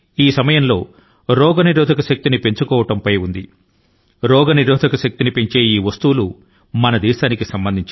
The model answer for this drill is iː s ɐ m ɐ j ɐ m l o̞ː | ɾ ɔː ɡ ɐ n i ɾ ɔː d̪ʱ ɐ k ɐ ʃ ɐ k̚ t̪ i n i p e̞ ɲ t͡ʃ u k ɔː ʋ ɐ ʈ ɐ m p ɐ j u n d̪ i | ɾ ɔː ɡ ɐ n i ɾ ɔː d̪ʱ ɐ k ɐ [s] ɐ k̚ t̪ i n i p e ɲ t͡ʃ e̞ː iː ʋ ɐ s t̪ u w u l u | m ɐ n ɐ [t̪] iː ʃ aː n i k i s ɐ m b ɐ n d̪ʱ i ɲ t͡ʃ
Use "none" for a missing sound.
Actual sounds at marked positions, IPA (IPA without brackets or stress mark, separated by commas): ʃ, d̪